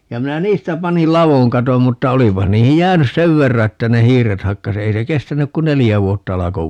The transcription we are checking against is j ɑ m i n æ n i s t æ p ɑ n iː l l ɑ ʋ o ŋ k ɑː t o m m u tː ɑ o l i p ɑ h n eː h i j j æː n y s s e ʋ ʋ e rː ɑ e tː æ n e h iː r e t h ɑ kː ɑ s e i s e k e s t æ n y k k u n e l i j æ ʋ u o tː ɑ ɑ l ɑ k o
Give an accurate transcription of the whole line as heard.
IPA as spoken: j ɑ m i n æ n iː s t æ p ɑ n i l l ɑ ʋ o ŋ k ɑ t o m m u tː ɑ o l i p ɑ h n iː h i j j æː n y s s e ʋ ʋ e rː ɑ e tː æ n e h iː r e t h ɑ kː ɑ s e i s e k e s t æ n y k k u n e l i j æ ʋ u o tː ɑ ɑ l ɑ k o